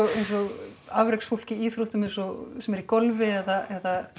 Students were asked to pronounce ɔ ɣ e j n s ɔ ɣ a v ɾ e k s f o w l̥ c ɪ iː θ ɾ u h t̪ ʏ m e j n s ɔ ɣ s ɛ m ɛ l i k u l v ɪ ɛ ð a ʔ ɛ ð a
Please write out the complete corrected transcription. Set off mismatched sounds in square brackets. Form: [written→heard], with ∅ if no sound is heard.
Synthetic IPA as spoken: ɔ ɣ e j n s ɔ ɣ a v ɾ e k s f o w l̥ c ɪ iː θ ɾ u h t̪ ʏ m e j n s ɔ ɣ s ɛ m ɛ [l→ɾ] i k [u→ɔ] l v ɪ ɛ ð a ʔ ɛ ð a